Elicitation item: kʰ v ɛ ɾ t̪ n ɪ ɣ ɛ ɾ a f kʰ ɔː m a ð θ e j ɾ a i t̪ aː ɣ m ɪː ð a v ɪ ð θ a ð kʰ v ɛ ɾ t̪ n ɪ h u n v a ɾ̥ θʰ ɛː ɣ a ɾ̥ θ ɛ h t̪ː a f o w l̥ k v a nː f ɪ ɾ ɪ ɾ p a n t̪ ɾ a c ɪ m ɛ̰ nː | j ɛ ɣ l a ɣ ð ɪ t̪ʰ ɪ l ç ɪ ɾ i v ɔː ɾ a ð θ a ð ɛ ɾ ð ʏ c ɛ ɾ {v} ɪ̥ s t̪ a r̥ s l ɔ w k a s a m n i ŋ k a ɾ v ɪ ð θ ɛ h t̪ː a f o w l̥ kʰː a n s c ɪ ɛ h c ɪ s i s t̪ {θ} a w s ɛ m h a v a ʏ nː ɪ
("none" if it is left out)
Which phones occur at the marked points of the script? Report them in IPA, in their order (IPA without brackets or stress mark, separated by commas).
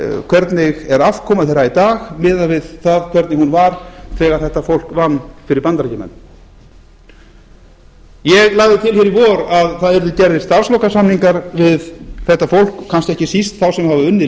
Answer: ð, θ